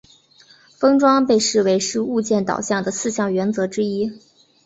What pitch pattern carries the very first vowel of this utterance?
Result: high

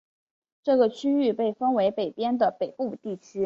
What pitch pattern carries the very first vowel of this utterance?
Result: falling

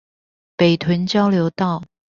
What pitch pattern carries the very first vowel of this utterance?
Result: low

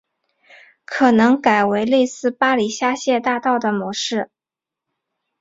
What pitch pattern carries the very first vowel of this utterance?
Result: low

